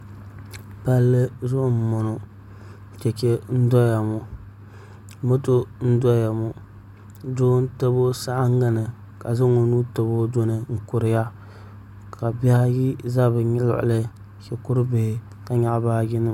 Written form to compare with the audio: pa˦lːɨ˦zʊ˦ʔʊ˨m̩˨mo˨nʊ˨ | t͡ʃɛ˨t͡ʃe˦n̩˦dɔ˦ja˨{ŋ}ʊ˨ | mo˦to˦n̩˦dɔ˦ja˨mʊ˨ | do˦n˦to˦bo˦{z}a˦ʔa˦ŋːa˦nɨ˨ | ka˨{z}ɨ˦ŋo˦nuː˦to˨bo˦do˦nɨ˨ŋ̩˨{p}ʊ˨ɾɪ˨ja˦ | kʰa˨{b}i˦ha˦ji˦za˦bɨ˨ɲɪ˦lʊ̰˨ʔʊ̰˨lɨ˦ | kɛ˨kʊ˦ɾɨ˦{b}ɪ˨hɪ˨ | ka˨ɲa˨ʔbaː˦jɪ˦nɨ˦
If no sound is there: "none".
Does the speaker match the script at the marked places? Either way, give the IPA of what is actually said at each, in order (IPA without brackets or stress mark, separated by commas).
m, s, z, k, b, b